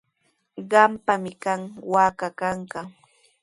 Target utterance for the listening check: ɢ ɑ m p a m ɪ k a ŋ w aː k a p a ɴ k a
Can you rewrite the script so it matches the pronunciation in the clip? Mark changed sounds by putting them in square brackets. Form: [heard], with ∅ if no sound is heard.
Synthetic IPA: ɢ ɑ m p a m ɪ k a ŋ w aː k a [k] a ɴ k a